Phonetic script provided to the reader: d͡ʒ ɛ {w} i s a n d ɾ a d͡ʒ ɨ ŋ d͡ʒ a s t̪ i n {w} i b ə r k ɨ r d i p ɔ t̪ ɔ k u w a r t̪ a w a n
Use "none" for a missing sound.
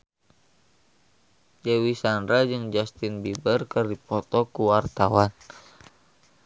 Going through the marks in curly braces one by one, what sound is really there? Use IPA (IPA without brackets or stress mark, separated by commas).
w, b